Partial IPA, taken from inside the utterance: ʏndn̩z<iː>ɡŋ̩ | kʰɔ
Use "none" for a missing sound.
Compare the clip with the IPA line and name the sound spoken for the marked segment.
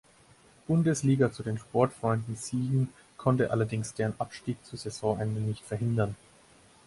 iː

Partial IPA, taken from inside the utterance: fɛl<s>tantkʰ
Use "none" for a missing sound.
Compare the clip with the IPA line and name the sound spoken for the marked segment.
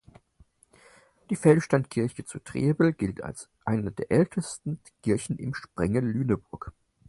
ʃ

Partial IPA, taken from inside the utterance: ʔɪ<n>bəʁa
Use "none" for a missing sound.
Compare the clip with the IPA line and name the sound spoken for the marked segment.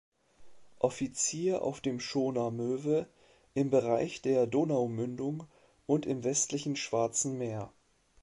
m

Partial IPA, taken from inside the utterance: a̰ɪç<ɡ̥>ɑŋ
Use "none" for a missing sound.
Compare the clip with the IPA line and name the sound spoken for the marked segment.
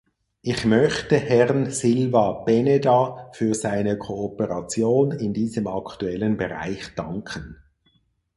d̥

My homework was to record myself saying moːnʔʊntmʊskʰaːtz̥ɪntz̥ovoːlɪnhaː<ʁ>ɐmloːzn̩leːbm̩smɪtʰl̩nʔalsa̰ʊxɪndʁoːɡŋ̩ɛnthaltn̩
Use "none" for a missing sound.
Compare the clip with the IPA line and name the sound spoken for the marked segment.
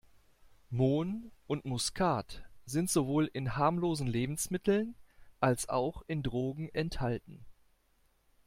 none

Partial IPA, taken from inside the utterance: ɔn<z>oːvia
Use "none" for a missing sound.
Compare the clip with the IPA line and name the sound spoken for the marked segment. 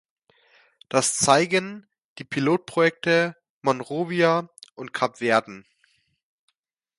ʁ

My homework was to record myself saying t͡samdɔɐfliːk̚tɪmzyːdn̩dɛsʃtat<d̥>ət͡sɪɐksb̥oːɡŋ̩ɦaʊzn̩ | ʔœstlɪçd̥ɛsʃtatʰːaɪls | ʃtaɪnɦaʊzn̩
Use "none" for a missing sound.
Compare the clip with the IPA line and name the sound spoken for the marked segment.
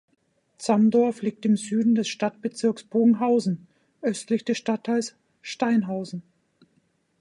b̥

